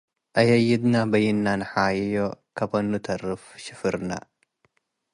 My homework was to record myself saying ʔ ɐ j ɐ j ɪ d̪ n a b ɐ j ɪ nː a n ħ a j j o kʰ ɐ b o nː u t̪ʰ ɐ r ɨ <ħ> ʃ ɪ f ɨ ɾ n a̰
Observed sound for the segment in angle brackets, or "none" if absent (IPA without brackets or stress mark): f